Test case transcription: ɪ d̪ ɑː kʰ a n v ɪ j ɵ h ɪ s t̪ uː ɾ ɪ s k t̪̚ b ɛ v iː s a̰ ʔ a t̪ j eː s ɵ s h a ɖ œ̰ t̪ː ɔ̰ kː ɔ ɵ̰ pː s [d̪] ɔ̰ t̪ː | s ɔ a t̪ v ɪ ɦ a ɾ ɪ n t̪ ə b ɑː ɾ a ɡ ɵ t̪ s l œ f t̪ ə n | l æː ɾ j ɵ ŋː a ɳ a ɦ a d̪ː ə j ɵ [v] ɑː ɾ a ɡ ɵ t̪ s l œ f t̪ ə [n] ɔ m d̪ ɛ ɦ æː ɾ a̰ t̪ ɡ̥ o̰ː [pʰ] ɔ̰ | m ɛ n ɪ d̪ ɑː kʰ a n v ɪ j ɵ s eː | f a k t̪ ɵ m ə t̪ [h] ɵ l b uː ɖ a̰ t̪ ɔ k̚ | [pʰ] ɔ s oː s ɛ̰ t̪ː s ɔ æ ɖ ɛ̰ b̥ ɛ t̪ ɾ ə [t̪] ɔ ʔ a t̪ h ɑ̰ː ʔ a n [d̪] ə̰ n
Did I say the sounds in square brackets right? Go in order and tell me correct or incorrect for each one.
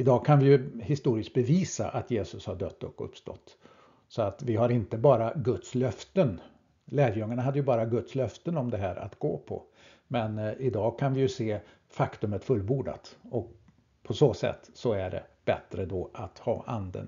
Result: incorrect, incorrect, correct, correct, incorrect, correct, incorrect, correct

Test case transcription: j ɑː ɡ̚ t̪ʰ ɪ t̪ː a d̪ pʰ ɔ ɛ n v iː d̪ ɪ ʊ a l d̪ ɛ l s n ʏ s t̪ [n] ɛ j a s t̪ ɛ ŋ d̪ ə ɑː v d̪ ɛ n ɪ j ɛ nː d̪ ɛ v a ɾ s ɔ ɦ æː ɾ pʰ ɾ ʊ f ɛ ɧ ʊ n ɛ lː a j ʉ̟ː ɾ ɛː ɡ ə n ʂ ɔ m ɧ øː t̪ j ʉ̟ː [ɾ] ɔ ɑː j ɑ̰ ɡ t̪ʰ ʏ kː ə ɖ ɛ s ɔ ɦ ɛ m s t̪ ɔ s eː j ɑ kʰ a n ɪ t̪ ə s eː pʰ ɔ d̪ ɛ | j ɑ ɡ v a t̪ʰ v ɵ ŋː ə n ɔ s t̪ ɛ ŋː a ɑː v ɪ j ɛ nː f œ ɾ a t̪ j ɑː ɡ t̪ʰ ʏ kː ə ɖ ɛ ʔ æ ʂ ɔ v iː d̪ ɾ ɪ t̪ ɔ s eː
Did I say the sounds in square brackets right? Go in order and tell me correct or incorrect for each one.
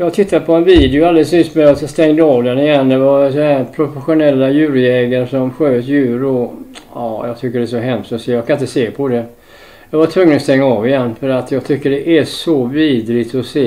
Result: incorrect, correct

